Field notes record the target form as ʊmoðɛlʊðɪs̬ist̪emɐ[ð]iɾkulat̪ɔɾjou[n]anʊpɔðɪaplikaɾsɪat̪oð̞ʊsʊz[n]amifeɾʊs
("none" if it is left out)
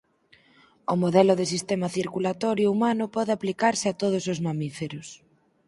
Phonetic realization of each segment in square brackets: θ, m, m

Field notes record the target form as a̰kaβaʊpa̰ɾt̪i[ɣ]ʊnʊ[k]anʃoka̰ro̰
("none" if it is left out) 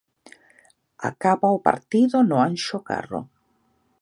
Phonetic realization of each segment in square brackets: ð, none

